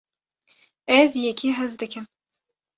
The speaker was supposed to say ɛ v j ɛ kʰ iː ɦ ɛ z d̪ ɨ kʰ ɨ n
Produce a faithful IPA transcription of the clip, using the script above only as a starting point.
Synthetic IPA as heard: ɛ z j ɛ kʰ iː ɦ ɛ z d̪ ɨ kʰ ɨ m